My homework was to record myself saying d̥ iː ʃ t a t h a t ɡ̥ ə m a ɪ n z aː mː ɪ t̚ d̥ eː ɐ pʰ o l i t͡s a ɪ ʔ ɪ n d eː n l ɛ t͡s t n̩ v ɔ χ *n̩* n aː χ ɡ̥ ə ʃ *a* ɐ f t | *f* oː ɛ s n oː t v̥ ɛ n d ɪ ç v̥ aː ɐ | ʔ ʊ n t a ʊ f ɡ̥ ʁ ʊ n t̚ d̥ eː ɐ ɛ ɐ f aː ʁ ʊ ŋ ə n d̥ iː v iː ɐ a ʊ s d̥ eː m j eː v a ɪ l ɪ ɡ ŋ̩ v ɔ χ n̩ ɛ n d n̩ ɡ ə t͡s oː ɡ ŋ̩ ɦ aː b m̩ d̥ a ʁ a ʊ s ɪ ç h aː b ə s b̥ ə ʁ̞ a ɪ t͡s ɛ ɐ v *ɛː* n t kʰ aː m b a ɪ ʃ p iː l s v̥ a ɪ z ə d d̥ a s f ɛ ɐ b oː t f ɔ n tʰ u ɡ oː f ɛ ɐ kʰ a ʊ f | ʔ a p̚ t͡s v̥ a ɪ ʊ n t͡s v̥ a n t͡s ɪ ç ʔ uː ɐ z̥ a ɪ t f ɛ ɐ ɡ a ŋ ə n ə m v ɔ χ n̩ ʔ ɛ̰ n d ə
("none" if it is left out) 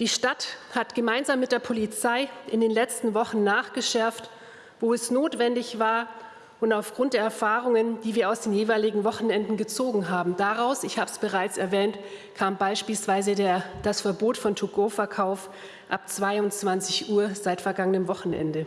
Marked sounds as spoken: n̩, ɛ, v, ɛː

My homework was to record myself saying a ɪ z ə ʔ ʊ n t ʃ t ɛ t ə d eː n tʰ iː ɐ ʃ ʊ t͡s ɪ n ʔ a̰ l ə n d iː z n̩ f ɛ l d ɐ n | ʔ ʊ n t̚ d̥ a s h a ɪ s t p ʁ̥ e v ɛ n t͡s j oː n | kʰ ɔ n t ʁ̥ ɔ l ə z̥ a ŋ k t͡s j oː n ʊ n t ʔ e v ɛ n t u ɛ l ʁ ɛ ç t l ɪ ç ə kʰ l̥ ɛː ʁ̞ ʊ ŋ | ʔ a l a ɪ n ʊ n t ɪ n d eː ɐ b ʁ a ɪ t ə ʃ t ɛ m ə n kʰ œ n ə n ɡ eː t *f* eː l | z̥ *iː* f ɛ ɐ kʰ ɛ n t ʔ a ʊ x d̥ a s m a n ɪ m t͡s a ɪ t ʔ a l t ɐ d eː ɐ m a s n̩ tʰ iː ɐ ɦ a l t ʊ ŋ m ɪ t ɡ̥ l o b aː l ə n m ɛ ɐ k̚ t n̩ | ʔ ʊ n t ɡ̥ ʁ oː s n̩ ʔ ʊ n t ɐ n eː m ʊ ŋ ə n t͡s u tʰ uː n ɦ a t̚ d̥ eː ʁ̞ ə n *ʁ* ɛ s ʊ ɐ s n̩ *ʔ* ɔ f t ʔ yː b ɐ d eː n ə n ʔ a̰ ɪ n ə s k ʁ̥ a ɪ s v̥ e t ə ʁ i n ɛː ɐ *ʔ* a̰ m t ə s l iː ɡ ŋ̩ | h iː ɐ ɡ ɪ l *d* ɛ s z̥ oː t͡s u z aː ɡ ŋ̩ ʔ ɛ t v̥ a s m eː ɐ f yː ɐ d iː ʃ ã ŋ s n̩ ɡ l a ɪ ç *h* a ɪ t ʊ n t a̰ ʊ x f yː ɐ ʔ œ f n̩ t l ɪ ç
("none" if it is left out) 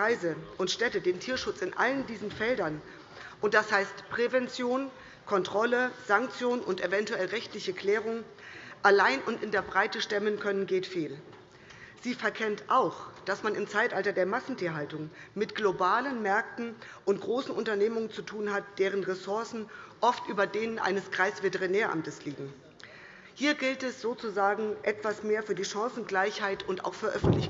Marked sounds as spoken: f, iː, ʁ, ʔ, ʔ, t, h

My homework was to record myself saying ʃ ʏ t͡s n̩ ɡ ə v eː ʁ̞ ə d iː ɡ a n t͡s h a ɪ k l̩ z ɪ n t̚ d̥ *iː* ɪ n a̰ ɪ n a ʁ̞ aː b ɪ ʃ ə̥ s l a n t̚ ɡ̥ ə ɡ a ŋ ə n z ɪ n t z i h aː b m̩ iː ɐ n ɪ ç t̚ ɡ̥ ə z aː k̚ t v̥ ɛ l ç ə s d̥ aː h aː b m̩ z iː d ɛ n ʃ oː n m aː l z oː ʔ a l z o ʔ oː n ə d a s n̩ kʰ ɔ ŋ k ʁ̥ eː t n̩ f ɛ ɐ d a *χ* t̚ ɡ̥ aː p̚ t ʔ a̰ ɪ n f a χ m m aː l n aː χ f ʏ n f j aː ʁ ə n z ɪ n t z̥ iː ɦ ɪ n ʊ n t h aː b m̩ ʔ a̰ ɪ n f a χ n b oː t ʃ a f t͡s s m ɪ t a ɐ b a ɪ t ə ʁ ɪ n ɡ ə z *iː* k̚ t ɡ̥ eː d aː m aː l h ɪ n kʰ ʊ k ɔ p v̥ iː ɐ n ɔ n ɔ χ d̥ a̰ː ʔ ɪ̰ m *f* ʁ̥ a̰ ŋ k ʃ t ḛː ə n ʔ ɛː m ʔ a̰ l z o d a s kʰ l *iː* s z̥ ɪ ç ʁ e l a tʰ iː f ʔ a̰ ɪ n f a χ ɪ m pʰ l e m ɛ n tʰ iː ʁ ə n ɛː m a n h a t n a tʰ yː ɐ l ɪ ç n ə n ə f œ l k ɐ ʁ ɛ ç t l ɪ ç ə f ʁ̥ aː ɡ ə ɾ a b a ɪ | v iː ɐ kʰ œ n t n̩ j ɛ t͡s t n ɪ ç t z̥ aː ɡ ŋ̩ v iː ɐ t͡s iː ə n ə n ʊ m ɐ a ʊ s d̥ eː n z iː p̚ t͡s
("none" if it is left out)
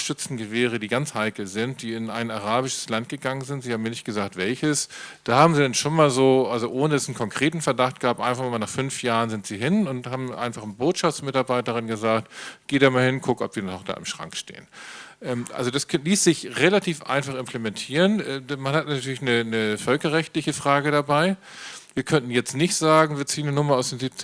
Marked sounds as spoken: iː, χ, aː, ʃ, iː

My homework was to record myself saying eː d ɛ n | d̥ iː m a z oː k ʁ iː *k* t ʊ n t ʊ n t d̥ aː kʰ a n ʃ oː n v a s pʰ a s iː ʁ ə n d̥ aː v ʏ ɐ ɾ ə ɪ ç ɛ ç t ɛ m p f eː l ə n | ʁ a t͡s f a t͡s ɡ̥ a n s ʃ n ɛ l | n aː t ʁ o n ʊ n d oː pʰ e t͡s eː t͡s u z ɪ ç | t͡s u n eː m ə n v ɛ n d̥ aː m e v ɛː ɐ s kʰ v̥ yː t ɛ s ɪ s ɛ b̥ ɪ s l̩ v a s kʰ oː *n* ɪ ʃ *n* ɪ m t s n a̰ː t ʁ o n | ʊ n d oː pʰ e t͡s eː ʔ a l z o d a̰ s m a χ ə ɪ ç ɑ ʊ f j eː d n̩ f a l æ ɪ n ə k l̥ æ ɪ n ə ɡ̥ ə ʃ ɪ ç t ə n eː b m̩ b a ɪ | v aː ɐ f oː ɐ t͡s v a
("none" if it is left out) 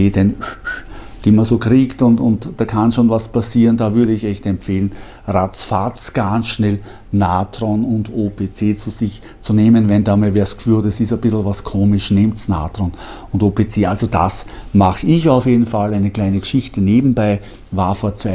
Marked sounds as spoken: k, m, n

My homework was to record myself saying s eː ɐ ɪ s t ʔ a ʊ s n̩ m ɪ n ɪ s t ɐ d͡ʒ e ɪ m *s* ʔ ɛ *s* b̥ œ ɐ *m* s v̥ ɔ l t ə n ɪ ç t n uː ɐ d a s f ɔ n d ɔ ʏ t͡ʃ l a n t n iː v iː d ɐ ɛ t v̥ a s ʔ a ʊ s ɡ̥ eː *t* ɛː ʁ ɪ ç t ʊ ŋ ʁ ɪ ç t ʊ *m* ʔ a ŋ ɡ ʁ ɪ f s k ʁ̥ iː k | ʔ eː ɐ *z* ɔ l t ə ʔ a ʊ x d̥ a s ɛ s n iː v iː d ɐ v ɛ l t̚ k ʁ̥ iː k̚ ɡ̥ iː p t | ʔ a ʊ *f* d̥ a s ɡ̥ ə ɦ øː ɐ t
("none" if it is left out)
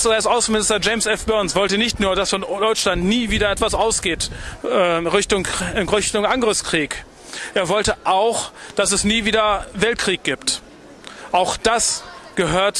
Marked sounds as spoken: s, f, n, t, ŋ, v, x

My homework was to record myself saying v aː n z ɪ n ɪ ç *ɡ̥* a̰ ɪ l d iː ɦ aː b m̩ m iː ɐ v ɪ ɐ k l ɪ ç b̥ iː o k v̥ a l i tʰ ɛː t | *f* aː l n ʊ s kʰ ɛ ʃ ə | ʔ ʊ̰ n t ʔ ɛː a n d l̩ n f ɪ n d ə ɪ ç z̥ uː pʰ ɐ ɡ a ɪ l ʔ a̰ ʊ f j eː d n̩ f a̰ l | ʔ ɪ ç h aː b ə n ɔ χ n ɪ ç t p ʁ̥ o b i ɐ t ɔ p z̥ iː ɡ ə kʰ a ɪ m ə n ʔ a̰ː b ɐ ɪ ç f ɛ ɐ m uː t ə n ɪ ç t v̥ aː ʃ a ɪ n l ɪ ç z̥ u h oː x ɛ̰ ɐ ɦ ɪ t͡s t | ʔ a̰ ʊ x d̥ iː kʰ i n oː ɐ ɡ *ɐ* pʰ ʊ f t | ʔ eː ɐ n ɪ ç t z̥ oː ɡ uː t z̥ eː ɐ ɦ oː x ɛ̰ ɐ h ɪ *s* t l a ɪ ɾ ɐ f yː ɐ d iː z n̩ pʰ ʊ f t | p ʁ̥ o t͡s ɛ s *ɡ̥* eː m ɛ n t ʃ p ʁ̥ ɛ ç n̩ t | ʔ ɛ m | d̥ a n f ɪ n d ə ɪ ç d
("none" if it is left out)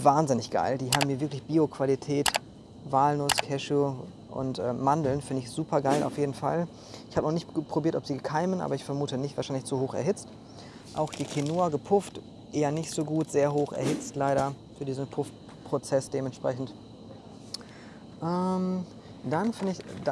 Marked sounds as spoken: ɡ̥, v, ə, t͡s, d̥

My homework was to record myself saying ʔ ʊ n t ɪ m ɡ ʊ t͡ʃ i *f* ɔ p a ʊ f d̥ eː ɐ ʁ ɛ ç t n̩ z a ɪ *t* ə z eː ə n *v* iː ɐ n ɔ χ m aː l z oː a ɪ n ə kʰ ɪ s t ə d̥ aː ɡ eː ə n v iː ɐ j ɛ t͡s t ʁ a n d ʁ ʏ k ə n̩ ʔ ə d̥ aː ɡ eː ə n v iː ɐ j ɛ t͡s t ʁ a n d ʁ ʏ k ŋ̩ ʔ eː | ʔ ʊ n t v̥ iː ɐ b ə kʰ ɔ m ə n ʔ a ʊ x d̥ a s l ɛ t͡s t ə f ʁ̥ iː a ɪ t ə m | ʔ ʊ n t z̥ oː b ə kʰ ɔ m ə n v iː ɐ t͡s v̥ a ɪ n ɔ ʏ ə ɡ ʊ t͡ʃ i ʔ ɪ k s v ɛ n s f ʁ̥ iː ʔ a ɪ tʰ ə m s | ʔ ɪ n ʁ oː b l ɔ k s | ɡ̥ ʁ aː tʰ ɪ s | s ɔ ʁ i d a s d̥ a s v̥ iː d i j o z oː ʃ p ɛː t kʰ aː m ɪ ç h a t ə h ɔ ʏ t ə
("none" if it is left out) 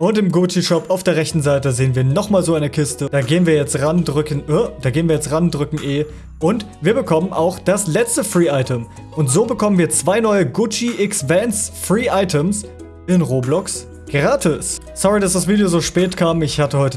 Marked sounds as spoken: ʃ, t, v

